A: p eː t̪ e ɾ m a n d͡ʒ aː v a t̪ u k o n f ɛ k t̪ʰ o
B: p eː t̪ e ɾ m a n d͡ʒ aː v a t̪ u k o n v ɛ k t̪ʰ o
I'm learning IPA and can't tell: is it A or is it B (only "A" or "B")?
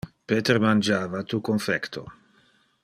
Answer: A